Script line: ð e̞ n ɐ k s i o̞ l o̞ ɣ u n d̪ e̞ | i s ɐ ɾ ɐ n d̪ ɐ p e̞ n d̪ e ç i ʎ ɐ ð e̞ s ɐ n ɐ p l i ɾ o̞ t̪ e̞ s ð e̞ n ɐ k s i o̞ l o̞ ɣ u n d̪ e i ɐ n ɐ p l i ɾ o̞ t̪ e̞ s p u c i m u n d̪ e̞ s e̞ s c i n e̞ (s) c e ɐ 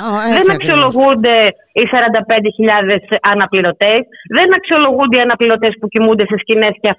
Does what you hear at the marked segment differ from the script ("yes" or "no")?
no